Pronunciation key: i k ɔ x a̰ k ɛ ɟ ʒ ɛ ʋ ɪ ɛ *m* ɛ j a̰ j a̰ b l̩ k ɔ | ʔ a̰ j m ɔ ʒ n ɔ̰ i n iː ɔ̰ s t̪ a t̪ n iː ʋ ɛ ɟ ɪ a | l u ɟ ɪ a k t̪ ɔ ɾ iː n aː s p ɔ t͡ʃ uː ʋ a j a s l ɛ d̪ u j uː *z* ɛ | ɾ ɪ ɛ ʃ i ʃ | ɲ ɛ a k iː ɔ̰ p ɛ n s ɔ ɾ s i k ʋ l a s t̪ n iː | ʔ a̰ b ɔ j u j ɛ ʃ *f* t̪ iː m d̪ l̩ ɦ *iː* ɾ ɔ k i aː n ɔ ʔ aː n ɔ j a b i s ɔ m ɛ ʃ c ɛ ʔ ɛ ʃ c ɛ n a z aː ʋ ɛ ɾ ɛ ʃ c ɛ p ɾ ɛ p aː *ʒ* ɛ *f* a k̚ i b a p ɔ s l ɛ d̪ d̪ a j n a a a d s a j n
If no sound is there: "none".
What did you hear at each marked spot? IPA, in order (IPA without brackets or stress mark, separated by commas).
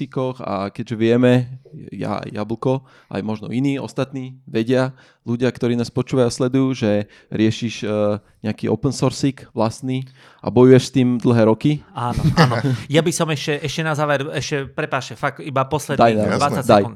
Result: m, ʒ, s, ɛː, ʃ, f